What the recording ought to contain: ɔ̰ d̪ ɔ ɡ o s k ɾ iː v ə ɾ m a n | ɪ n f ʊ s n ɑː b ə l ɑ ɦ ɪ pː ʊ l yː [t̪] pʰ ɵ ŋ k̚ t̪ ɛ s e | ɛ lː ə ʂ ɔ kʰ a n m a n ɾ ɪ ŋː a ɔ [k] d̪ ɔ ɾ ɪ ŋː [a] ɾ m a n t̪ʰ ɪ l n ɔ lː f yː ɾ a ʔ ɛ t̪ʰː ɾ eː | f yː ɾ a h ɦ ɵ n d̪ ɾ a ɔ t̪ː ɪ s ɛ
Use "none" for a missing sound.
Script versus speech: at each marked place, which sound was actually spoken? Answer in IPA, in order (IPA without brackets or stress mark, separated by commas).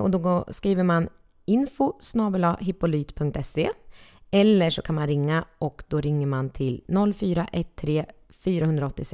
t̪, k, ə